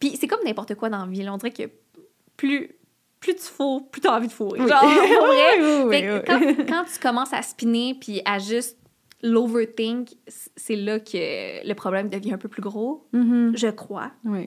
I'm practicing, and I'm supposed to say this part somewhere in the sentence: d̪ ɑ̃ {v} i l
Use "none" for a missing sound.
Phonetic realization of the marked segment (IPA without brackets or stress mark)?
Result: v